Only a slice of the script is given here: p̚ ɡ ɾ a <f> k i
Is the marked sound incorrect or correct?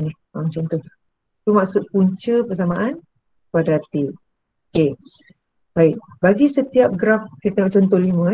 correct